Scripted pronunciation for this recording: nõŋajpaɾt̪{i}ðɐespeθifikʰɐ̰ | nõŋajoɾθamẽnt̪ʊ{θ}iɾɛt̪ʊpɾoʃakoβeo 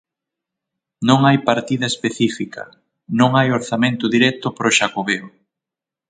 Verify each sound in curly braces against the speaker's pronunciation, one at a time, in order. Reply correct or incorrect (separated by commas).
correct, incorrect